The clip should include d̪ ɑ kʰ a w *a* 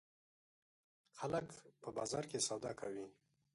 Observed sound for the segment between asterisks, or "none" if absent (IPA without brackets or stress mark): i